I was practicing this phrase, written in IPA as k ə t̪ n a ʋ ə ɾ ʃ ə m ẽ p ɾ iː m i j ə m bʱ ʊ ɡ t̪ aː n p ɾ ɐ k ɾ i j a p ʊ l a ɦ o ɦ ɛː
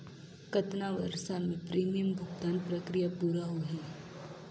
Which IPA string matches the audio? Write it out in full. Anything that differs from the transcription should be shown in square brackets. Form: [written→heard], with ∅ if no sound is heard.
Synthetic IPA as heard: k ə t̪ n a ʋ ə ɾ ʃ [ə→a] m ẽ p ɾ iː m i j ə m bʱ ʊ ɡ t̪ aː n p ɾ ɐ k ɾ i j a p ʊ [l→ɾ] a ɦ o ɦ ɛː